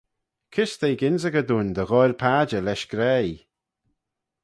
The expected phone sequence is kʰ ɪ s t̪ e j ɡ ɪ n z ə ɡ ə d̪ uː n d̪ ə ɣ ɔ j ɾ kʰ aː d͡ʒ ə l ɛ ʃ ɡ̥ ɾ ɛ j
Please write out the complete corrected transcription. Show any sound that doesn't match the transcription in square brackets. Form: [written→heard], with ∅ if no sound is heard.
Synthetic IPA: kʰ ɪ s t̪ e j ɡ ɪ n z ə ɡ ə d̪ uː n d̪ ə ɣ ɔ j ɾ [kʰ→pʰ] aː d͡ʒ ə l ɛ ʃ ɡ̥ ɾ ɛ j